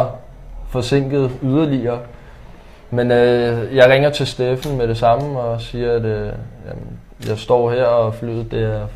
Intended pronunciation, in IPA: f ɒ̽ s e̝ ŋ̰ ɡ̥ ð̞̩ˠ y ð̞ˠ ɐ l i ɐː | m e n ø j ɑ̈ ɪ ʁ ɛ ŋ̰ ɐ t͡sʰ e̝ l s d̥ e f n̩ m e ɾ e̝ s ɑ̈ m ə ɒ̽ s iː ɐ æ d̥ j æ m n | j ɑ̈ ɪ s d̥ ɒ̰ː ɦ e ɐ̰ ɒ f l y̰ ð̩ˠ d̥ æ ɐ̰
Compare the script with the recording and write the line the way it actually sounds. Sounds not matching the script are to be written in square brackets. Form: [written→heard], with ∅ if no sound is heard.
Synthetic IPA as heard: f ɒ̽ s e̝ ŋ̰ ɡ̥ ð̞̩ˠ y ð̞ˠ ɐ l i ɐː | m e n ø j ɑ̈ ɪ ʁ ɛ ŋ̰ ɐ t͡sʰ e̝ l s d̥ e f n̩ m e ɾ e̝ s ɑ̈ m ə ɒ̽ s iː ɐ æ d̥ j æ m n | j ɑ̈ ɪ s d̥ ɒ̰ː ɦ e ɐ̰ ɒ f l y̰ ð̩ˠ d̥ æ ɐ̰